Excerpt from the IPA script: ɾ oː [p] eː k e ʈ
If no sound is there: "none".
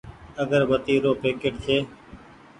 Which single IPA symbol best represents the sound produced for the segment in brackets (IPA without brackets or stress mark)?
p